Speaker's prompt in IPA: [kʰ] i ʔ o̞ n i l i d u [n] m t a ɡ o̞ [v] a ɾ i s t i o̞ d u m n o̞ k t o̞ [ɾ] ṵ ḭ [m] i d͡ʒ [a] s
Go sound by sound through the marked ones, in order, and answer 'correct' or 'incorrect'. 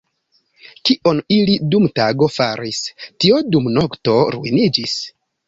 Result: incorrect, incorrect, incorrect, correct, incorrect, incorrect

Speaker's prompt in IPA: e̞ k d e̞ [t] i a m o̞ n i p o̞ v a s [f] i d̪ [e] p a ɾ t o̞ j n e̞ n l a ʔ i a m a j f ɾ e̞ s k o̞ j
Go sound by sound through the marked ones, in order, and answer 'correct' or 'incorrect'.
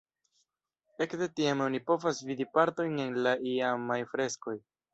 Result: correct, incorrect, incorrect

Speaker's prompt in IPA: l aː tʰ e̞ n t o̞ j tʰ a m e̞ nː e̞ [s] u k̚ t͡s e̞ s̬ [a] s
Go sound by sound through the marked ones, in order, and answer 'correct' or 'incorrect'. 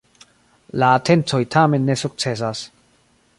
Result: correct, correct

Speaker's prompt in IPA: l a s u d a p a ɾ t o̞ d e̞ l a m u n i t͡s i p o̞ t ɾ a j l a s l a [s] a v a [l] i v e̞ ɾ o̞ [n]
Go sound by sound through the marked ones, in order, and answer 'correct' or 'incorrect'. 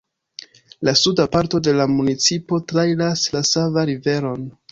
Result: correct, incorrect, correct

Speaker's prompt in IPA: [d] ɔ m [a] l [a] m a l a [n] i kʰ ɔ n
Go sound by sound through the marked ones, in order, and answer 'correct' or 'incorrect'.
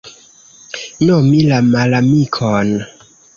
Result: incorrect, incorrect, correct, incorrect

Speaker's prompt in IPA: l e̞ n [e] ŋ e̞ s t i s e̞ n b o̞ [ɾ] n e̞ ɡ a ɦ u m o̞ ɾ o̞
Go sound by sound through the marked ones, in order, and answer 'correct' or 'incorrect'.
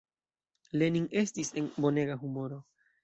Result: incorrect, incorrect

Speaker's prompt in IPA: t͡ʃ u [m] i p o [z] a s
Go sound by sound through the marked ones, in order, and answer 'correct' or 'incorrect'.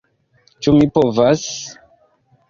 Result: correct, incorrect

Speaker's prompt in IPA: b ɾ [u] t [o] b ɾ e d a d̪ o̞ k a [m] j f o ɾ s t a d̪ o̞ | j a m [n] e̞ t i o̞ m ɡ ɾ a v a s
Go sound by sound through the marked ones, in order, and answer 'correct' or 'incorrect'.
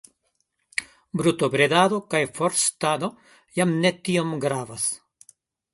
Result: correct, correct, incorrect, correct

